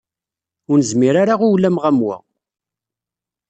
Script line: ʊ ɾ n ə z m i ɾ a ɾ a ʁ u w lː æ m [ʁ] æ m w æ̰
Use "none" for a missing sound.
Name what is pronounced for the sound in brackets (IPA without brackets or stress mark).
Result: ʁ